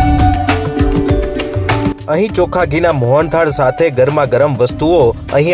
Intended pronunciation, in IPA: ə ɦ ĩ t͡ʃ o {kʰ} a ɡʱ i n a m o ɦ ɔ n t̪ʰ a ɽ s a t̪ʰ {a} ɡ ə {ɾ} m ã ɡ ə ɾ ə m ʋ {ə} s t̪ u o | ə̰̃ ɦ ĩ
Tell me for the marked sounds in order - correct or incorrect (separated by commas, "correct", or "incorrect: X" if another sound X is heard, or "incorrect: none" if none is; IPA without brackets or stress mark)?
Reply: correct, incorrect: e, correct, correct